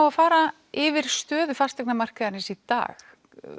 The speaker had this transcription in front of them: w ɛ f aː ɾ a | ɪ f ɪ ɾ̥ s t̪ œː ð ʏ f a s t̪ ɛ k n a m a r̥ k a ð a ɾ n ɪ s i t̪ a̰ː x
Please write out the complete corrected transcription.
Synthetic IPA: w a f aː ɾ a | ɪ v ɪ ɾ̥ s t̪ œː ð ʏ f a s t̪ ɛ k n a m a r̥ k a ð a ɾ n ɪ s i t̪ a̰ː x